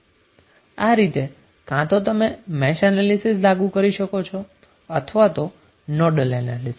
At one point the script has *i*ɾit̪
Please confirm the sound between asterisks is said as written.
no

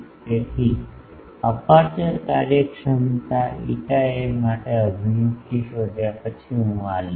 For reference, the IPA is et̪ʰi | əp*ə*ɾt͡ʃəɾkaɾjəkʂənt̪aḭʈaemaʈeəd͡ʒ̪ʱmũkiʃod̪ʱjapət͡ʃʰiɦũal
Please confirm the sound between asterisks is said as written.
no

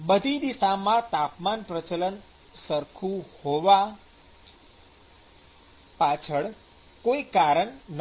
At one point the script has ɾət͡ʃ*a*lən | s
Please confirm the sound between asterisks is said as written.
no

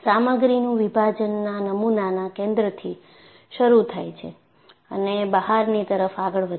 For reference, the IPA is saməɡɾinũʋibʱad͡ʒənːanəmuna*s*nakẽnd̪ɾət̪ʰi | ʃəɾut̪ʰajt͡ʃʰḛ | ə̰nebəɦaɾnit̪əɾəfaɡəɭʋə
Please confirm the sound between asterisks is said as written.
no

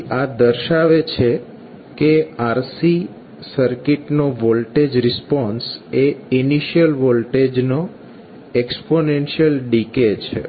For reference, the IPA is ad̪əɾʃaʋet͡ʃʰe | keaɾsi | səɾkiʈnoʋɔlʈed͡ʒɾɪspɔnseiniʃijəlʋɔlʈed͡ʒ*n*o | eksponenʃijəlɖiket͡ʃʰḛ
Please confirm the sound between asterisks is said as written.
yes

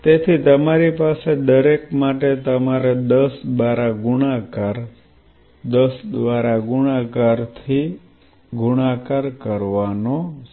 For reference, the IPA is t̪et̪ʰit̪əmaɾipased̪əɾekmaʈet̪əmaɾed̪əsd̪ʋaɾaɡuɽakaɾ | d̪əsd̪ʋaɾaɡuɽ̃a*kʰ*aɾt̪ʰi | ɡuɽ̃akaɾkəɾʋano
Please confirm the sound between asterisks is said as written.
no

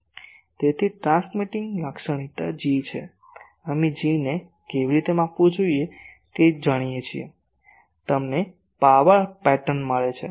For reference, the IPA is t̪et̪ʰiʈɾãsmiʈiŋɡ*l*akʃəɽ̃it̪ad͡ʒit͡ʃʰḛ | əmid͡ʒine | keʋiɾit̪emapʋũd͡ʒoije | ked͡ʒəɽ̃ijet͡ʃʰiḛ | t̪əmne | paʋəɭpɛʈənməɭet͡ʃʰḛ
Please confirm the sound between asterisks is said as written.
yes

